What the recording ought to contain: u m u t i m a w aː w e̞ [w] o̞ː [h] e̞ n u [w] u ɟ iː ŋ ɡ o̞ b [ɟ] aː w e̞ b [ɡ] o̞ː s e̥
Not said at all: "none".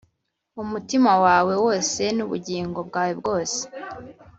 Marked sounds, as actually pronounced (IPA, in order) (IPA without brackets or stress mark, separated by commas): w, s, β, ɡ, ɡ